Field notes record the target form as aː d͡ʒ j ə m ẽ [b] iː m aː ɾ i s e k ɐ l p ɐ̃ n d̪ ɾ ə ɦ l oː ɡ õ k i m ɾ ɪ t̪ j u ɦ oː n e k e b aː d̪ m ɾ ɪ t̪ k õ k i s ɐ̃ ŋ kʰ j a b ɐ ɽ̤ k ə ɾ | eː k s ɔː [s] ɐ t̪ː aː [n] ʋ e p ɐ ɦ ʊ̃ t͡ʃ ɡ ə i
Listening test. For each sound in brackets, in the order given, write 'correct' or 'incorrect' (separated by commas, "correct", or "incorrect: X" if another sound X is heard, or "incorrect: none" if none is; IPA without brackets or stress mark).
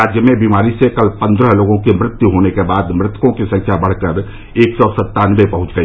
correct, correct, correct